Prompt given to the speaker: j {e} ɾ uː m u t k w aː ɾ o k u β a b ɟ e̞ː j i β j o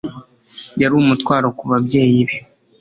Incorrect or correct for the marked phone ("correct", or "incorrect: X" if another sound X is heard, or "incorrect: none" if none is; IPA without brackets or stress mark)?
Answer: incorrect: a